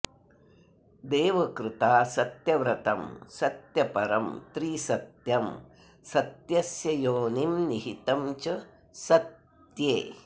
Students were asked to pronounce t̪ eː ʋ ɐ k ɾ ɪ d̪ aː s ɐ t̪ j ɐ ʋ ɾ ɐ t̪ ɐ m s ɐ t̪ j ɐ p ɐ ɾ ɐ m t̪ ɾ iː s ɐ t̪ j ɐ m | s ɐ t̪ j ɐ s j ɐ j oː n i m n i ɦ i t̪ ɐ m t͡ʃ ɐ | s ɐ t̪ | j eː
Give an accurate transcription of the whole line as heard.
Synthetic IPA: d̪ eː ʋ ɐ k ɾ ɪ t̪ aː s ɐ t̪ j ɐ ʋ ɾ ɐ t̪ ɐ m s ɐ t̪ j ɐ p ɐ ɾ ɐ m t̪ ɾ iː s ɐ t̪ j ɐ m | s ɐ t̪ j ɐ s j ɐ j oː n i m n i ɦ i t̪ ɐ m t͡ʃ ɐ | s ɐ t̪ | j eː